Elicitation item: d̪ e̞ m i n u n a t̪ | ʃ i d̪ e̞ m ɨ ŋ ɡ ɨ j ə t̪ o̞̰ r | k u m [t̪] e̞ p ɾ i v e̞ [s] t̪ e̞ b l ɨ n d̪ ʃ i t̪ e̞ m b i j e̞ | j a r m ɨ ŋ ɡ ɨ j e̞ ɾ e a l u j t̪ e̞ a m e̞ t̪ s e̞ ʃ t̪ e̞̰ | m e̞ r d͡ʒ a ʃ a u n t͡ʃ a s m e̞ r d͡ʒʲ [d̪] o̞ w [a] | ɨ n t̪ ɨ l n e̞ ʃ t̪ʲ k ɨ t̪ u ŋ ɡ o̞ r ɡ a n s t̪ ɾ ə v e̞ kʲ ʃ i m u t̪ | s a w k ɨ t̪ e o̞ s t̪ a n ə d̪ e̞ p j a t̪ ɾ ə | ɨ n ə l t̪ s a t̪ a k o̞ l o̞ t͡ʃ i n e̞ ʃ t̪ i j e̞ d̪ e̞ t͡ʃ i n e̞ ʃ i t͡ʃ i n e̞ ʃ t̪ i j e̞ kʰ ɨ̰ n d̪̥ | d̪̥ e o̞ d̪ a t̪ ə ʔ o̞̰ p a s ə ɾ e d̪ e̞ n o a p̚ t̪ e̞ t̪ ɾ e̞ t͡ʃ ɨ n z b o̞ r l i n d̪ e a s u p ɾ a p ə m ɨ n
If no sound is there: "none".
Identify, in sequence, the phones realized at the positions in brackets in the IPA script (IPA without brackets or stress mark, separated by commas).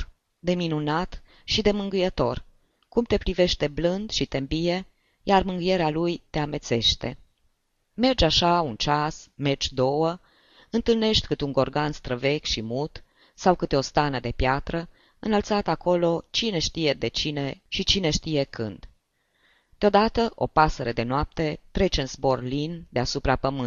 t̪, ʃ, d̪, ə